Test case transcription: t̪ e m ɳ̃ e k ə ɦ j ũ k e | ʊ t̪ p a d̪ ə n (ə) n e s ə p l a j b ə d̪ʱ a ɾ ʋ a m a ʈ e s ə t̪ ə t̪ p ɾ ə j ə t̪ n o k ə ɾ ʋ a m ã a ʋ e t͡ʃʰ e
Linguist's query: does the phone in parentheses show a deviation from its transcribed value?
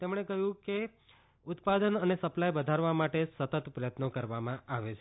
no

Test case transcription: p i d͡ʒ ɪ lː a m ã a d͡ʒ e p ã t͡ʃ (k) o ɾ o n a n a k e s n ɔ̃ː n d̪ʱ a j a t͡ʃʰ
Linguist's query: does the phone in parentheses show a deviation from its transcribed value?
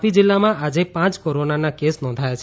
no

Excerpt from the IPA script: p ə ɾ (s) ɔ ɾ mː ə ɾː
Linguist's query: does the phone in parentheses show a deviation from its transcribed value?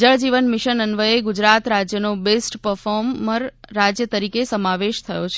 yes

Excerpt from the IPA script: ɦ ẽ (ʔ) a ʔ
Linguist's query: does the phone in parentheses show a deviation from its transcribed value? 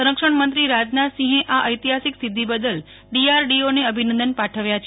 no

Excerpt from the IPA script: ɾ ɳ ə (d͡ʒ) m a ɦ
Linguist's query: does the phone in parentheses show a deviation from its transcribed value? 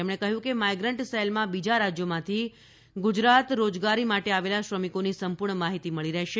yes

